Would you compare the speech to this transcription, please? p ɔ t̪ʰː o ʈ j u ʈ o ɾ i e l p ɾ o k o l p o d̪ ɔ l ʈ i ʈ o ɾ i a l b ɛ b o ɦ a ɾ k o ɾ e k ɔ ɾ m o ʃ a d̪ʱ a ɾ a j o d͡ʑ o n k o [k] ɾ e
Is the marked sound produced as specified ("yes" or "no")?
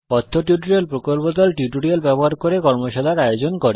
no